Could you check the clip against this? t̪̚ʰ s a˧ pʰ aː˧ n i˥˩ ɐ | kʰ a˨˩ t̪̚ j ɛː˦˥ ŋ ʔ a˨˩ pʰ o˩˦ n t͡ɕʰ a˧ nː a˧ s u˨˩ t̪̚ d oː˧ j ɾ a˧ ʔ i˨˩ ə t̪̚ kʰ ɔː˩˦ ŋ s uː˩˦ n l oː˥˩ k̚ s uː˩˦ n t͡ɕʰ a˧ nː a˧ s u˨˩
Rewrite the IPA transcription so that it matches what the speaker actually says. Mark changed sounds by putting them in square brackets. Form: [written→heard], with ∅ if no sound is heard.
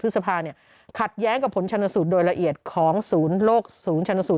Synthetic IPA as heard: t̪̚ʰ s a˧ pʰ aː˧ n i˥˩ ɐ | kʰ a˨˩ t̪̚ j ɛː˦˥ ŋ [ʔ→k] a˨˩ pʰ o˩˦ n t͡ɕʰ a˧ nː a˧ s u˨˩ t̪̚ d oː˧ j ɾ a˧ ʔ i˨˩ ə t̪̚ kʰ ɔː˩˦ ŋ s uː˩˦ n l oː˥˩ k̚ s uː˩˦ n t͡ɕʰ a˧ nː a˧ s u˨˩